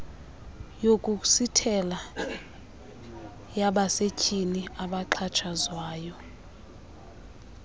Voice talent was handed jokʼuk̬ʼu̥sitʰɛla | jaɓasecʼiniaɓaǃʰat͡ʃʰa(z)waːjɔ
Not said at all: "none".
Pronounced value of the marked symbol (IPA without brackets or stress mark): z